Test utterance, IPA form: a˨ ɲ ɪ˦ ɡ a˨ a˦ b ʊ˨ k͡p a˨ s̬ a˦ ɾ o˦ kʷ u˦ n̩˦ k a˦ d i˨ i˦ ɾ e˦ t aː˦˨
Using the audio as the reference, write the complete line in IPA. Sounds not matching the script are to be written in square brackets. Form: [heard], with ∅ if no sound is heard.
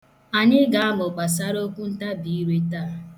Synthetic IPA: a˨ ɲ ɪ˦ ɡ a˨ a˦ [m] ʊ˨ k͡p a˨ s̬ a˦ ɾ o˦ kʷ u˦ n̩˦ [t] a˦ [b] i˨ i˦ ɾ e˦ t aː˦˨